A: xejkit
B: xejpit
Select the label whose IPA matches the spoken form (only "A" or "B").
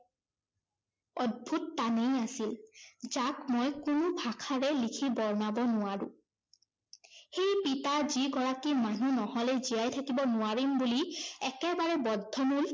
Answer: B